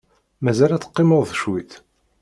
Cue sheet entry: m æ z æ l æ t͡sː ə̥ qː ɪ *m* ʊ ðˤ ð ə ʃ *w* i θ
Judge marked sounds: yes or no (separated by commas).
yes, yes